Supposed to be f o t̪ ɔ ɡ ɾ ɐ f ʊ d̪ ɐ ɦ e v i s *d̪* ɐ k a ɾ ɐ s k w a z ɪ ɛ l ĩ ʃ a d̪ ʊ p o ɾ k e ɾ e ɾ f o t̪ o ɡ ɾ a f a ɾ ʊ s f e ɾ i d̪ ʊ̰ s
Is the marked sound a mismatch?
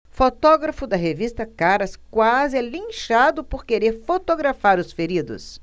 yes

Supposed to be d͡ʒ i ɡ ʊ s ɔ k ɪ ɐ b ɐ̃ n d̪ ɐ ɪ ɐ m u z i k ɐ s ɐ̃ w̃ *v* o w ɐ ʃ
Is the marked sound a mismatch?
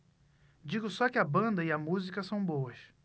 yes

